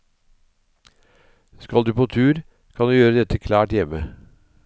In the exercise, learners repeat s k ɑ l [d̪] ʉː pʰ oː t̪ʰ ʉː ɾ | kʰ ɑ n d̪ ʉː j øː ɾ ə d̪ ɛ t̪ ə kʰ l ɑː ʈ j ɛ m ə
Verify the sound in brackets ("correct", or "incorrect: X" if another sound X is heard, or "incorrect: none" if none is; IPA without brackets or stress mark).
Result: correct